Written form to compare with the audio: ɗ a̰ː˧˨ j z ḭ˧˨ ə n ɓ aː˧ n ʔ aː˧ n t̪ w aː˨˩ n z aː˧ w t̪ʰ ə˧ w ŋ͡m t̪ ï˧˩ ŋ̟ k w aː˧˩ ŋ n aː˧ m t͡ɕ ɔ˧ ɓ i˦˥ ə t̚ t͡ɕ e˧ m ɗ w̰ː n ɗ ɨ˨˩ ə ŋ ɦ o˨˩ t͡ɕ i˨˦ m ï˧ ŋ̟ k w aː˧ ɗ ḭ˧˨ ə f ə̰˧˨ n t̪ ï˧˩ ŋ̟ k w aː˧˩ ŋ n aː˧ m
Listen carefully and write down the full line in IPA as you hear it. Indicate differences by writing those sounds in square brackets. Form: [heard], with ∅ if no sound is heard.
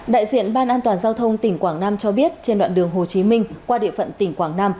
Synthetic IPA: ɗ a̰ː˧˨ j z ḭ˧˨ ə n ɓ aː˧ n ʔ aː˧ n t̪ w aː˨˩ n z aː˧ w t̪ʰ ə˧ w ŋ͡m t̪ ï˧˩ ŋ̟ k w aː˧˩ ŋ n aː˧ m t͡ɕ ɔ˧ ɓ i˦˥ ə t̚ t͡ɕ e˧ [n] ɗ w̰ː n ɗ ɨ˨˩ ə ŋ ɦ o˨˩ t͡ɕ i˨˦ m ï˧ ŋ̟ k w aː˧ ɗ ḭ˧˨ ə f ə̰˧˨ n t̪ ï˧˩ ŋ̟ k w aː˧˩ ŋ n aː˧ m